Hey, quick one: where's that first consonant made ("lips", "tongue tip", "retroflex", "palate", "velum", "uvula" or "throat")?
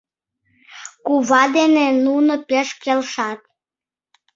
velum